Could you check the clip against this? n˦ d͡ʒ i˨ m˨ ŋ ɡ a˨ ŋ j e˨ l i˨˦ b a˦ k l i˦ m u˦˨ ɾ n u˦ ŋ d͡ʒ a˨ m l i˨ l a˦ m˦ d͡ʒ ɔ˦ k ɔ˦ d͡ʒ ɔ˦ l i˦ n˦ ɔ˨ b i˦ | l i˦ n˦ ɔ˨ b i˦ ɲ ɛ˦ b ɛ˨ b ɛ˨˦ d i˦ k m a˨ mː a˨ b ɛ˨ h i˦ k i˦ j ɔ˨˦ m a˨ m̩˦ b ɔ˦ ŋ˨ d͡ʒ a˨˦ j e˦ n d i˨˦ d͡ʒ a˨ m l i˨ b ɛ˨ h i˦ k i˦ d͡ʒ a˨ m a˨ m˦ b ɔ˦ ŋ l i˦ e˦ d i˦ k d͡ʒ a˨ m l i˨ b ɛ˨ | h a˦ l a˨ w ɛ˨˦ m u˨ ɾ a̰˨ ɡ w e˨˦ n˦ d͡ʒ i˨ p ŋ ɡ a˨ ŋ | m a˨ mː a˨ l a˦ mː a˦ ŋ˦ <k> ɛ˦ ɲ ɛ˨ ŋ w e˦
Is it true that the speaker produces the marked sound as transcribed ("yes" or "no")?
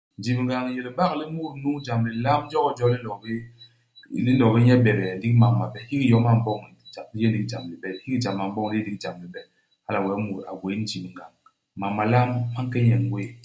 yes